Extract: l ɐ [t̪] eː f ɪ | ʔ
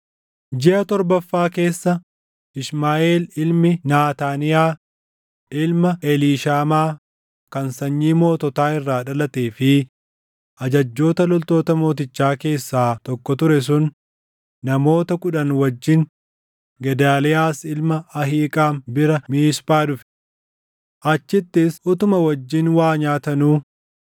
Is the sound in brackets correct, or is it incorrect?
correct